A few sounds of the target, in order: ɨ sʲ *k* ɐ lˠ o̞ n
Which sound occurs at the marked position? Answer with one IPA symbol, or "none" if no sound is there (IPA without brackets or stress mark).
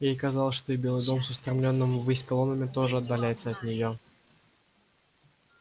k